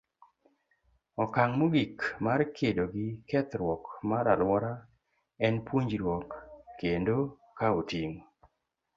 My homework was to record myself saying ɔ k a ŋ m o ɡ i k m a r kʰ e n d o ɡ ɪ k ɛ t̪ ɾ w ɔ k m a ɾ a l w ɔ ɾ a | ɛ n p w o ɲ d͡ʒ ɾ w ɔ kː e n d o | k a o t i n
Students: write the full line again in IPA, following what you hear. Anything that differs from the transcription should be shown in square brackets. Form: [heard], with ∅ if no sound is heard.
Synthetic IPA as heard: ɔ k a ŋ m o ɡ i k m a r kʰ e [∅] d o ɡ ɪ k ɛ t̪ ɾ w ɔ k m a ɾ a l w ɔ ɾ a | ɛ n p w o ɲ d͡ʒ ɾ w ɔ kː e n d o | k a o t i [ŋ]